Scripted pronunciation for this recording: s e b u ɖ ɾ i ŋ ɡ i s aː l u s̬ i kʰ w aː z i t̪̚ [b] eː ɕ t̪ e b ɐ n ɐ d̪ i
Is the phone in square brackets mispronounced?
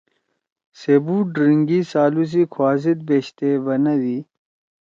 no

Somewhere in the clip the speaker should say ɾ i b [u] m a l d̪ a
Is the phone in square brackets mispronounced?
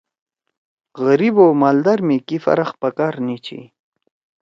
yes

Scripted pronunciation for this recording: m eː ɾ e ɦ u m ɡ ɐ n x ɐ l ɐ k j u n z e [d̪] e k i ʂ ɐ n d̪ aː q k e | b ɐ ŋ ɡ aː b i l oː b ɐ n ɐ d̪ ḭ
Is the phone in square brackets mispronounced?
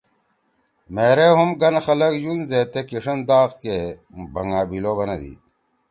yes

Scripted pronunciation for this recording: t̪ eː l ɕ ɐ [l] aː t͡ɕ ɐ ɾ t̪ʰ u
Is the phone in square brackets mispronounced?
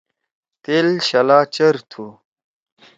no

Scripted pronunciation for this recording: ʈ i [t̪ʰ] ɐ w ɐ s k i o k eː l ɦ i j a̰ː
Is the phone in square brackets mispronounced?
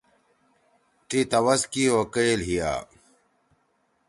yes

